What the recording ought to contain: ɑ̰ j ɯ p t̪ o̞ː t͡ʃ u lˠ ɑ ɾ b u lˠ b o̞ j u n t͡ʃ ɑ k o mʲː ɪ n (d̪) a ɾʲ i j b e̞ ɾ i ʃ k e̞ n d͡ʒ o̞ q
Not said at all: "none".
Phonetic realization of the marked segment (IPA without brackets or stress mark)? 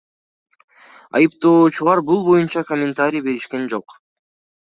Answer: t̪